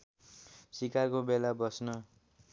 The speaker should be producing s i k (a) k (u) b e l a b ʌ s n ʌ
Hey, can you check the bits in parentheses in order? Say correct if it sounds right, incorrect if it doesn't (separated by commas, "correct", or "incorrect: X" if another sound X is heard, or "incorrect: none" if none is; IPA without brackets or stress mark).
correct, incorrect: o